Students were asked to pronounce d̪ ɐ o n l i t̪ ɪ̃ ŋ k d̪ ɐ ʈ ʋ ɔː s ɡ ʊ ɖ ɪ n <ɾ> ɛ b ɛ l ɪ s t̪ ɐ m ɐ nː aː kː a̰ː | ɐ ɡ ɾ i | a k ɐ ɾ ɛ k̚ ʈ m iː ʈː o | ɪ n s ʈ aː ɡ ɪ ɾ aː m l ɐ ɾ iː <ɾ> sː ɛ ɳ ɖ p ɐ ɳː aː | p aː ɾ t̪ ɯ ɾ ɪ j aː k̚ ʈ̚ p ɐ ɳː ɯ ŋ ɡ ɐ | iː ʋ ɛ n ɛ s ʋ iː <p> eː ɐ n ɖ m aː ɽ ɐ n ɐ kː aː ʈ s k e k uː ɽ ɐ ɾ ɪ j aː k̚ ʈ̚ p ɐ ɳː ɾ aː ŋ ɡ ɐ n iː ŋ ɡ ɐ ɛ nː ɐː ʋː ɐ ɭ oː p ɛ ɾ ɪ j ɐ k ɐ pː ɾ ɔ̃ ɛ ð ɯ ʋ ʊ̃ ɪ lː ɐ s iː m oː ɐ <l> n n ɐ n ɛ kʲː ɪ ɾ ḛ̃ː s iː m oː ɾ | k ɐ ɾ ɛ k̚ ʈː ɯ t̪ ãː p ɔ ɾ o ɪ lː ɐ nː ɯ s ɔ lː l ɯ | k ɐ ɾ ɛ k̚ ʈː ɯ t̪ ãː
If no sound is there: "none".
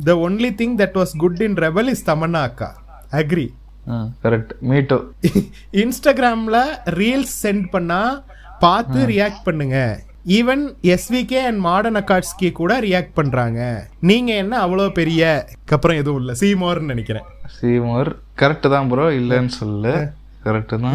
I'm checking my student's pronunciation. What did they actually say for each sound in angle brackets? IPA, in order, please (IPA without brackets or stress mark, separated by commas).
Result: ɾ, l, k, ɾ